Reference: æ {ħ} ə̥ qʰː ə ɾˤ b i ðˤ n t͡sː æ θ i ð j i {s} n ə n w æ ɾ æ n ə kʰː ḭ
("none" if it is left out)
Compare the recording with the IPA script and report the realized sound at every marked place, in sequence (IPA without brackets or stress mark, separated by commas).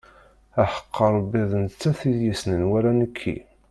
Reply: ħ, s